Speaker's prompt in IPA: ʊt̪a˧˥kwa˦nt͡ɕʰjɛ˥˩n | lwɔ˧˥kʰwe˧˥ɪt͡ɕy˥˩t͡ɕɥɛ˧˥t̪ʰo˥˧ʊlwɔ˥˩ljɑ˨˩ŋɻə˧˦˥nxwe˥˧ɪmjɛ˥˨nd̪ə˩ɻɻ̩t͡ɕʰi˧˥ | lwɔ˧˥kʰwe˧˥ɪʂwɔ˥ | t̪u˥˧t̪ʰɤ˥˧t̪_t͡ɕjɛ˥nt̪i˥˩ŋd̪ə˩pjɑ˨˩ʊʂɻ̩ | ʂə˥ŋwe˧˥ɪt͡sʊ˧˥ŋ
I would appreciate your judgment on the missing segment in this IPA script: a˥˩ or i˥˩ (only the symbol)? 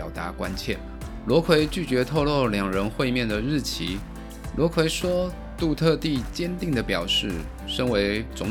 i˥˩